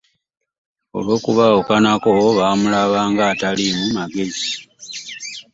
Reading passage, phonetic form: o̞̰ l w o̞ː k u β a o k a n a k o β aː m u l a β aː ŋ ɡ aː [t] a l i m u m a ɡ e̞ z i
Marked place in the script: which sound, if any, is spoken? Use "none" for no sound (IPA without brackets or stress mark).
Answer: t